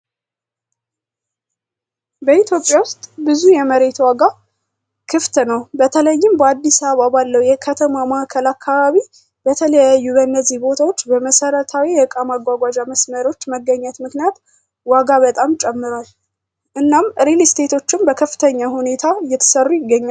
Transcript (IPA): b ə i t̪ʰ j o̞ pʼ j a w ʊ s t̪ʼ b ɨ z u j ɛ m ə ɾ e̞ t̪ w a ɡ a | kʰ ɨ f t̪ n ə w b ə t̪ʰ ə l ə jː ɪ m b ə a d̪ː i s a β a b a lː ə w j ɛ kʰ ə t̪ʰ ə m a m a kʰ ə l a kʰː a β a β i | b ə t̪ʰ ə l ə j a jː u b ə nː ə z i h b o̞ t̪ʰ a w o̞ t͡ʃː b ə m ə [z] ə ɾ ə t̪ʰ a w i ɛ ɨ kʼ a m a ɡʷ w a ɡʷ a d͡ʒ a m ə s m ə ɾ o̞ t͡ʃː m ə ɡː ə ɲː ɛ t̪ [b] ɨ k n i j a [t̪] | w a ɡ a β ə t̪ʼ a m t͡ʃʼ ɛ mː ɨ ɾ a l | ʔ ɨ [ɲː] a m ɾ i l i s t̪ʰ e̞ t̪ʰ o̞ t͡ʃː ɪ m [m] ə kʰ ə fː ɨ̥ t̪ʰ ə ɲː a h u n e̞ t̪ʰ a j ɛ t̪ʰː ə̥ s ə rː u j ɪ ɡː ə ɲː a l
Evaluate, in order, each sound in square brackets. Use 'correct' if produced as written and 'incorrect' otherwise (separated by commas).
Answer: incorrect, incorrect, correct, incorrect, incorrect